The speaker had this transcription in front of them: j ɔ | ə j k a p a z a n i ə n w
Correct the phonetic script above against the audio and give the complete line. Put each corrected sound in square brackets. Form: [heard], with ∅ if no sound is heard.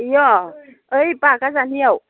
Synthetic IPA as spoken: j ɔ | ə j [p] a [k] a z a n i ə [∅] w